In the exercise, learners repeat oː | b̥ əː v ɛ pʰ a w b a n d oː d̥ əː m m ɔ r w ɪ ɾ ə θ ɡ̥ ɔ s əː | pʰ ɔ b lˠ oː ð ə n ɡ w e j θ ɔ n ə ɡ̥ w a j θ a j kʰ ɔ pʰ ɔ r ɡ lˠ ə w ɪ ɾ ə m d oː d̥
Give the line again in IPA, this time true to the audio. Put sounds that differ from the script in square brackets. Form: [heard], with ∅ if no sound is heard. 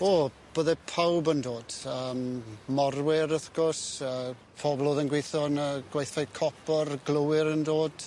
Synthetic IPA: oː | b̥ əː [ð] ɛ pʰ a w b [ə] n d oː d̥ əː m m ɔ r w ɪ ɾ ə θ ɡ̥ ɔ s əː | pʰ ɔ b lˠ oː ð ə n ɡ w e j θ ɔ n ə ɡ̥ w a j θ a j kʰ ɔ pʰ ɔ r ɡ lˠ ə w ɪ ɾ ə [n] d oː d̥